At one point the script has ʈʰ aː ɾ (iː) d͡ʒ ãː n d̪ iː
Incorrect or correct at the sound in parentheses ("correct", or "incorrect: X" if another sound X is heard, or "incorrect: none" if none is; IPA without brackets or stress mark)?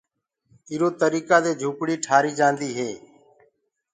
correct